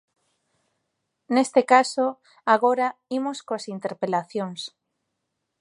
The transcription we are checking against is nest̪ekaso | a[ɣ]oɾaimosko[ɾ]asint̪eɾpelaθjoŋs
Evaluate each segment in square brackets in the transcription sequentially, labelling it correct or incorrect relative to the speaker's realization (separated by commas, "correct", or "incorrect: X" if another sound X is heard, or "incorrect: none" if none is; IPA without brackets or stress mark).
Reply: correct, incorrect: none